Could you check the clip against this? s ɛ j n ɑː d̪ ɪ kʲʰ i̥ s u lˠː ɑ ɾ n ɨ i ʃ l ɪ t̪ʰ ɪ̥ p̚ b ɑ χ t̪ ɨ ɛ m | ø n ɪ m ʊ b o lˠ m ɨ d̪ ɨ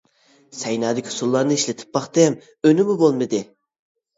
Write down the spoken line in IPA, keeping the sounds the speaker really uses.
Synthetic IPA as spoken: s ɛ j n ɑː d̪ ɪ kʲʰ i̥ s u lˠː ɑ ɾ n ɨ i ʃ l ɪ t̪ʰ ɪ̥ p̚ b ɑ χ t̪ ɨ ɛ m | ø n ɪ m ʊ b o lˠ m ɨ d̪ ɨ